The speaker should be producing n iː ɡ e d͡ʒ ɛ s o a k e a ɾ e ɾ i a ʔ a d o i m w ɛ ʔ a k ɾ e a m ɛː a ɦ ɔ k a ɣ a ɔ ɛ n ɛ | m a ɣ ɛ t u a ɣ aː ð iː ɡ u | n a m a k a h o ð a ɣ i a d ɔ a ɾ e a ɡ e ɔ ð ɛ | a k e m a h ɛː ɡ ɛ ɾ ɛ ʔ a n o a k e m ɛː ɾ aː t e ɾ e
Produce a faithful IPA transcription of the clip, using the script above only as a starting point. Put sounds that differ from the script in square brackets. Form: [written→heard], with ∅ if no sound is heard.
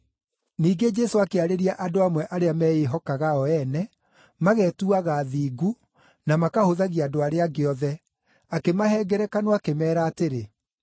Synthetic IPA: n iː ɡ e d͡ʒ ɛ s o a k e a ɾ e ɾ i a ʔ a d o [i→a] m w ɛ ʔ a [k→∅] ɾ e a m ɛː [a→e] ɦ ɔ k a ɣ a ɔ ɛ n ɛ | m a ɣ ɛ t u a ɣ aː ð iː ɡ u | n a m a k a h o ð a ɣ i a d [ɔ→o] a ɾ e a ɡ e ɔ ð ɛ | a k e m a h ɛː ɡ ɛ ɾ ɛ [ʔ→k] a n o a k e m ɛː ɾ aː t e ɾ e

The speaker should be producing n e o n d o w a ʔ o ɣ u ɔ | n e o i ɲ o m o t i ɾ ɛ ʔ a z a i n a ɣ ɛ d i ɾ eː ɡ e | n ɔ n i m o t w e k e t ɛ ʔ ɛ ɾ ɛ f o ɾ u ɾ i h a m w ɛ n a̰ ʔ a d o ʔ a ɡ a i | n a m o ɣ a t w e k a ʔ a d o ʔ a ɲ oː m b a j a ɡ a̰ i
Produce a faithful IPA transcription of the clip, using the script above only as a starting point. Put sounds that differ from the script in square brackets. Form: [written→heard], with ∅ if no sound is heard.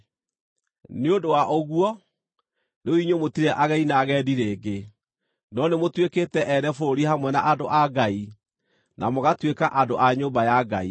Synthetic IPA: n e o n d o w a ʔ o ɣ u ɔ | n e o i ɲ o m o t i ɾ ɛ ʔ a [z→ɣ] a i n a ɣ ɛ d i ɾ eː ɡ e | n ɔ n [i→e] m o t w e k e t ɛ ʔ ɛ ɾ ɛ f o ɾ [u→o] ɾ i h a m w ɛ n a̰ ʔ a d o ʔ a ɡ a i | n a m o ɣ a t w e k a ʔ a d o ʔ a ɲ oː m b a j a ɡ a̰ i

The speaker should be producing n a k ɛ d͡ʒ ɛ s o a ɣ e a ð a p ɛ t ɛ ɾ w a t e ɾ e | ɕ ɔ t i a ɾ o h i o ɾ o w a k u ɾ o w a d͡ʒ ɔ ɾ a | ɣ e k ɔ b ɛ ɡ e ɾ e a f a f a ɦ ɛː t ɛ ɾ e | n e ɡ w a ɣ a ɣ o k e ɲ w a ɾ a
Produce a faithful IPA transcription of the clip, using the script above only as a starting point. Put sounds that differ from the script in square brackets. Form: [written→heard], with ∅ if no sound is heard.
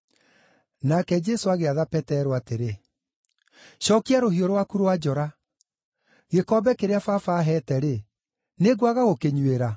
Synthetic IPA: n a k ɛ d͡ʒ ɛ s o a ɣ e a ð a p ɛ t ɛ ɾ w a t e ɾ e | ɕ ɔ [t→k] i a ɾ o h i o ɾ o w a k u ɾ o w a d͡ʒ ɔ ɾ a | ɣ e k ɔ b ɛ [ɡ→k] e ɾ e a f a f a ɦ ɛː t ɛ ɾ e | n e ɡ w a ɣ a ɣ o k e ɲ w [a→e] ɾ a

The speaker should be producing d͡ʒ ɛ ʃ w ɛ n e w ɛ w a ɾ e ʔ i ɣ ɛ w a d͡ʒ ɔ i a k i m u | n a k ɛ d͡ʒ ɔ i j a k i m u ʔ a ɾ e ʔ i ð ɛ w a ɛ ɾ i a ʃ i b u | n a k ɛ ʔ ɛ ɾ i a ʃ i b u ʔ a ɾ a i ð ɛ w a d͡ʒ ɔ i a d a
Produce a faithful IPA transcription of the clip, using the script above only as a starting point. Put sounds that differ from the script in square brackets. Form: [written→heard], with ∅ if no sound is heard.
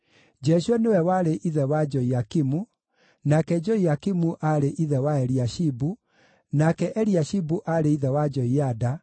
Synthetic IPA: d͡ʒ ɛ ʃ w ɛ n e w ɛ w a ɾ e ʔ i [ɣ→ð] ɛ w a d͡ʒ ɔ i a k i m u | n a k ɛ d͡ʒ ɔ i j a k i m u ʔ a ɾ e ʔ i ð ɛ w a ɛ ɾ i a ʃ i b u | n a k ɛ ʔ ɛ ɾ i a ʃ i b u ʔ a ɾ [a→e] i ð ɛ w a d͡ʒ ɔ i a d a

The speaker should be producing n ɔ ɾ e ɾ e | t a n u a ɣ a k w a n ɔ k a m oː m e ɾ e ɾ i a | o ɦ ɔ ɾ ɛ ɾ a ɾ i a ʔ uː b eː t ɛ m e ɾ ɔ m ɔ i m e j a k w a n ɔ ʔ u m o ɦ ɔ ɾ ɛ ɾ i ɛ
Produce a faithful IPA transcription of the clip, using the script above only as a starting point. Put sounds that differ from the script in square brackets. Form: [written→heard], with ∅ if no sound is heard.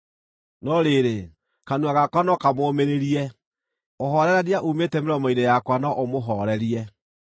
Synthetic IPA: n ɔ ɾ e ɾ e | [t→k] a n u a ɣ a k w a n ɔ k a m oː m e ɾ e ɾ i [a→ɛ] | o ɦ ɔ ɾ ɛ ɾ a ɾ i a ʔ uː [b→m] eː t ɛ m e ɾ ɔ m ɔ i [m→n] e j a k w a n ɔ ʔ [u→o] m o ɦ ɔ ɾ ɛ ɾ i ɛ

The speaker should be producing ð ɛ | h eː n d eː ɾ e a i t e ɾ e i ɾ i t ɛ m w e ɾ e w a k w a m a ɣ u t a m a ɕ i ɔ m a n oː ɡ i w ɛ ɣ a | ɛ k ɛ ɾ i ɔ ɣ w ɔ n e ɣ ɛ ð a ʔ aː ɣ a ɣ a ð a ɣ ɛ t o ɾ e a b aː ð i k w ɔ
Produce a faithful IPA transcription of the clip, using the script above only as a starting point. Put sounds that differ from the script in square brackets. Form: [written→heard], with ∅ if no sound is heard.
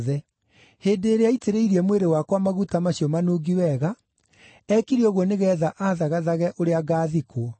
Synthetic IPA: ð ɛ | h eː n d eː ɾ e a i t e ɾ e i ɾ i [t→∅] ɛ m w e ɾ e w a k w a m a ɣ u t a m a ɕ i ɔ m a n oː ɡ i w ɛ ɣ a | ɛ k [ɛ→i] ɾ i ɔ ɣ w ɔ n e ɣ ɛ ð a ʔ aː [ɣ→ð] a ɣ a ð a ɣ ɛ [t→ʔ] o ɾ e a [b→ɡ] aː ð i k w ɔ

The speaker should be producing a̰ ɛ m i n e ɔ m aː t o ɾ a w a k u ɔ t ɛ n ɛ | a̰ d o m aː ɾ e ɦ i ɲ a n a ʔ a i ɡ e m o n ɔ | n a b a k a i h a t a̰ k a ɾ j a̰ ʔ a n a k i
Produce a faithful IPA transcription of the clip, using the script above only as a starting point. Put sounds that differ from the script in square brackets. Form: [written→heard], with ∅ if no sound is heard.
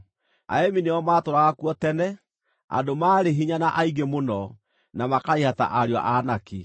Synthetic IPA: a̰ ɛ m i n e ɔ m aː t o ɾ a [w→ɣ] a k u ɔ t ɛ n ɛ | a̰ d o m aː ɾ e ɦ i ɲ a n a ʔ a i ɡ e m o n ɔ | n a [b→m] a k a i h a t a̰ [k→ʔ] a ɾ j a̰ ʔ a n a k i

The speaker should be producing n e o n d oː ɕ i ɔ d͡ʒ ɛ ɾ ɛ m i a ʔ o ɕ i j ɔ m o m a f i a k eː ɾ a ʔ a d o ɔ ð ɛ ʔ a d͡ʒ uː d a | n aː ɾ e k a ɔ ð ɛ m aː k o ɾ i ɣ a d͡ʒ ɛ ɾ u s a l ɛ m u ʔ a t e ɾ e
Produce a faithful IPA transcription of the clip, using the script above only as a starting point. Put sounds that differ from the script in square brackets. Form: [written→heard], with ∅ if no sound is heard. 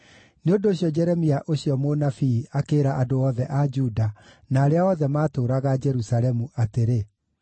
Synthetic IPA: n e o n d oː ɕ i ɔ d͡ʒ ɛ ɾ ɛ m i a ʔ o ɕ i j ɔ m o [m→n] a f i a k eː ɾ a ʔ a d o ɔ ð ɛ ʔ a d͡ʒ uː d a | n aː ɾ e [k→∅] a ɔ ð ɛ m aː [k→t] o ɾ [i→a] ɣ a d͡ʒ ɛ ɾ u s a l ɛ m u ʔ a t e ɾ e

